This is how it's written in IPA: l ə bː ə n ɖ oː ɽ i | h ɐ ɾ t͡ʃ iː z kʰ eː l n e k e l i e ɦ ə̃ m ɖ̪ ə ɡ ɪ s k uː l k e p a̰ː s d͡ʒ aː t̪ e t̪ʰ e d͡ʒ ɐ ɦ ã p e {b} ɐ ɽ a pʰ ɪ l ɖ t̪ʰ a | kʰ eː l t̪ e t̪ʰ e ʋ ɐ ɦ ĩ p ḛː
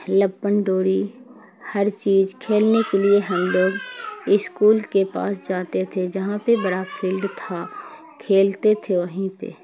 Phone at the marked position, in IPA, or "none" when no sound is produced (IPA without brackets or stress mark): b